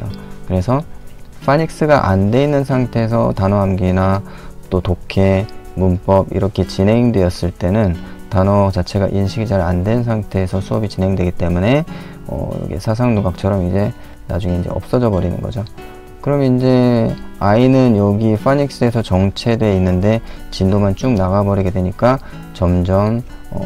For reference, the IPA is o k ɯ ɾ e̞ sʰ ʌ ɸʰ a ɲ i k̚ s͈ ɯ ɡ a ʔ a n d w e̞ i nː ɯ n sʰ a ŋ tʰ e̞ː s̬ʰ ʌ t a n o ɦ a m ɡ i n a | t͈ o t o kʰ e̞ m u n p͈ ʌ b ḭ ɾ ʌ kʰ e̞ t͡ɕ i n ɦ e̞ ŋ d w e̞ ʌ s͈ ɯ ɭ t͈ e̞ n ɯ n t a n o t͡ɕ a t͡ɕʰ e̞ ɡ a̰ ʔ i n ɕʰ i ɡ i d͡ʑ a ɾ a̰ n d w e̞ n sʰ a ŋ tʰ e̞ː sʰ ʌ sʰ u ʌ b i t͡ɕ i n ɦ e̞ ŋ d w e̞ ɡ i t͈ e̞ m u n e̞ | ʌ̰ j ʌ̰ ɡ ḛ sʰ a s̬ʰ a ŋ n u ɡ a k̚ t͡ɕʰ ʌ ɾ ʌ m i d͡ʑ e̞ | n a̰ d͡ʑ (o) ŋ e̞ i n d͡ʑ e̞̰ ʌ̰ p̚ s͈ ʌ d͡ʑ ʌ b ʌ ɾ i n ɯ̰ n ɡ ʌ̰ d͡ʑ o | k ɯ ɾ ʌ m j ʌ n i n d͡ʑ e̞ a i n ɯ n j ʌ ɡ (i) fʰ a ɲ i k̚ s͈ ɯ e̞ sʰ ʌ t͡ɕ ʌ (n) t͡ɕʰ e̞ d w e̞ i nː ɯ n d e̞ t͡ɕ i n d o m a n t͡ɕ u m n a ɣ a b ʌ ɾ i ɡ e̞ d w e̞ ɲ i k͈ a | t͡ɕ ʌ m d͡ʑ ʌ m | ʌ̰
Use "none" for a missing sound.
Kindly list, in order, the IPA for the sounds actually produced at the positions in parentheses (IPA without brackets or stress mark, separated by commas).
u, i, ŋ